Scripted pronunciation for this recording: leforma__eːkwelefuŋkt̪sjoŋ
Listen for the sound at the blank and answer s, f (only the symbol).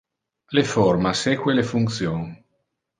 s